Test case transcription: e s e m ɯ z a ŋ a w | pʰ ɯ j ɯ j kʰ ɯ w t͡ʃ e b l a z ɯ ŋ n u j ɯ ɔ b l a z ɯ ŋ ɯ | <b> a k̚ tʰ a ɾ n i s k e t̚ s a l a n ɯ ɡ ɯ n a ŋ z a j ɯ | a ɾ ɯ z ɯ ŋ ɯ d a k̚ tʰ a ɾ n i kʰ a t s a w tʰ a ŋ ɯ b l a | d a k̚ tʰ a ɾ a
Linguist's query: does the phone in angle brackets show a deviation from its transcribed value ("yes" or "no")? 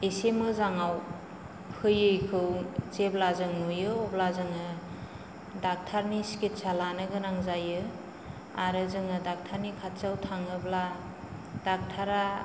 yes